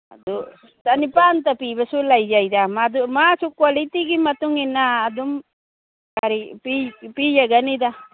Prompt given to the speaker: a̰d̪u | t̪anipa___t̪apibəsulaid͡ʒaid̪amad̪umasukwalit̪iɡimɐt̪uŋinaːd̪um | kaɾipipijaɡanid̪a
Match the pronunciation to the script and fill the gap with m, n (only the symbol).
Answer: n